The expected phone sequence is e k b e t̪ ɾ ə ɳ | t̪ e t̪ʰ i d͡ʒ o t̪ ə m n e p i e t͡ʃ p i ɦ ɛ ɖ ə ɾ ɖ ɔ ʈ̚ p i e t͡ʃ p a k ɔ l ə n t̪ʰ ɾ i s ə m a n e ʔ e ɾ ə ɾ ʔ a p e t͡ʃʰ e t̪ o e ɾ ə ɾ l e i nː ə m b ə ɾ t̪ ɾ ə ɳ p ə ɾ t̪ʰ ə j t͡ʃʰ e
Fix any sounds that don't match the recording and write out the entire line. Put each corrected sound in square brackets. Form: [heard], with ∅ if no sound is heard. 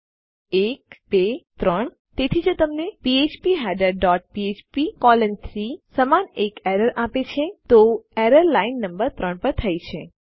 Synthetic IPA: e k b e t̪ ɾ ə ɳ | t̪ e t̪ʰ i d͡ʒ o t̪ ə m n e p i e t͡ʃ p i ɦ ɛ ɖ ə ɾ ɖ ɔ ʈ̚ p i e t͡ʃ p [i] k ɔ l ə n t̪ʰ ɾ i s ə m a n e [k] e ɾ ə ɾ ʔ a p e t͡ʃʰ e t̪ o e ɾ ə ɾ l [a] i nː ə m b ə ɾ t̪ ɾ ə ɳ p ə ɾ t̪ʰ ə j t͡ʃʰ e